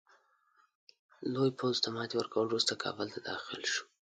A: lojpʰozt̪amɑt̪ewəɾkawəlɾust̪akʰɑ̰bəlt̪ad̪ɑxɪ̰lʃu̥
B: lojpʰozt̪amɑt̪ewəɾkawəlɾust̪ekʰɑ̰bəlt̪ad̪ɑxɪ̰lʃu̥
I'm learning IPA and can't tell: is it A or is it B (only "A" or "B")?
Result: A